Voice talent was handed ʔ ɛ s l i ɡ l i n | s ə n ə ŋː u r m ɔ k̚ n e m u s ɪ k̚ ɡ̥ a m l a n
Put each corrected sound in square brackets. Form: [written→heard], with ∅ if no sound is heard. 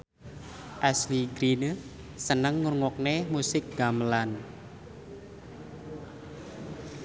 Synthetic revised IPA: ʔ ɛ s l i ɡ [l→ɾ] i n | s ə n ə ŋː u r [m→ŋ] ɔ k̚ n e m u s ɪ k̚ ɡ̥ a m l a n